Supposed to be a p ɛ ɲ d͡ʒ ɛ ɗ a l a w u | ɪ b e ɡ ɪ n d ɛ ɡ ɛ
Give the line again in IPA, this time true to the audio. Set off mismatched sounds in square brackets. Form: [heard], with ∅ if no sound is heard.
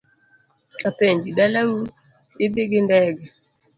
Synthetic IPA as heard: a p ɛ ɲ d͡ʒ [i] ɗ a l a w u | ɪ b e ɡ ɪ n d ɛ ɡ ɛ